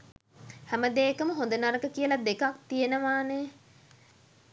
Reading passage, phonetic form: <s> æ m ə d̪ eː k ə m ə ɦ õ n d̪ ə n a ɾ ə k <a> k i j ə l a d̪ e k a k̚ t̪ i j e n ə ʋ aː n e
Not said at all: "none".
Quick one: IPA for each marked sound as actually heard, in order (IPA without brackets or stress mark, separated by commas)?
h, ə